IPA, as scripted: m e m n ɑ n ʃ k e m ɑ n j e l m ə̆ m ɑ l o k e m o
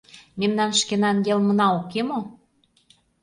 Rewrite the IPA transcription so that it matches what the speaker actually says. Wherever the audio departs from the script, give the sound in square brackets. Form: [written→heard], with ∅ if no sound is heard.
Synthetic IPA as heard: m e m n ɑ n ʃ k e [m→n] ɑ n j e l m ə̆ [m→n] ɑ [l→∅] o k e m o